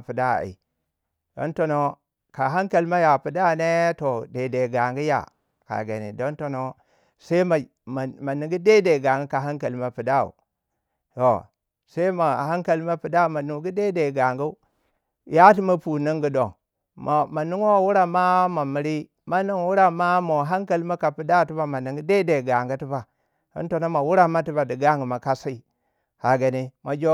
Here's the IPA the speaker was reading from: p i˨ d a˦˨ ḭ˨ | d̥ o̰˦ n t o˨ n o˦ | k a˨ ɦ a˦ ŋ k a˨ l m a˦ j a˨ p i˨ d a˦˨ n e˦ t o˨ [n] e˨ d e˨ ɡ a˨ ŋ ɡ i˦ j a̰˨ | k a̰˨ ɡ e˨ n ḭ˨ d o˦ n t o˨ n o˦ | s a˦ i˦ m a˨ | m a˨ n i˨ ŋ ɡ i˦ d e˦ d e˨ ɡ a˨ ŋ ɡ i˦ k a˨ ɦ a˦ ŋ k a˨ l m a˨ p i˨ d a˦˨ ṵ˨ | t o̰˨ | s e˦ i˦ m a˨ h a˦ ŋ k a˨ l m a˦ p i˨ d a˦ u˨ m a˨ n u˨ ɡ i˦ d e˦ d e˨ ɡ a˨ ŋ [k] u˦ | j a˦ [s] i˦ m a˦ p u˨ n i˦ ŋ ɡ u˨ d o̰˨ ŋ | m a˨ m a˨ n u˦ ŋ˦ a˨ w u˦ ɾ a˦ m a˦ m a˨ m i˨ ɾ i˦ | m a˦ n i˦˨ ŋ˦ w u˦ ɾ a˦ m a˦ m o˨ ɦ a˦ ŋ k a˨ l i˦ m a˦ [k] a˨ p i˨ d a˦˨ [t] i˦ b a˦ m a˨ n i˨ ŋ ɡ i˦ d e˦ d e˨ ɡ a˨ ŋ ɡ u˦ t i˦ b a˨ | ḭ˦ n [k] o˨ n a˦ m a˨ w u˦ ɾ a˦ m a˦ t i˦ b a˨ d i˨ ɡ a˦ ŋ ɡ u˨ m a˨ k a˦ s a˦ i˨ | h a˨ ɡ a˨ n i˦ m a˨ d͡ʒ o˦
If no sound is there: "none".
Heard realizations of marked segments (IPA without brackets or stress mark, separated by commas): d, ɡ, t, k, t, t